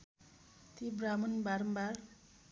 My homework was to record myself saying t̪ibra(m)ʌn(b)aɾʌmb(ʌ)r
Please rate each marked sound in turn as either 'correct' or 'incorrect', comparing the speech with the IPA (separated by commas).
correct, correct, incorrect